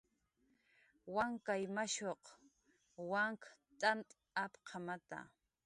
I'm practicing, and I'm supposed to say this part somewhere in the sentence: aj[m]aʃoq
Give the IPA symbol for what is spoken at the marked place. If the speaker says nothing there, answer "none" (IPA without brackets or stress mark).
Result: m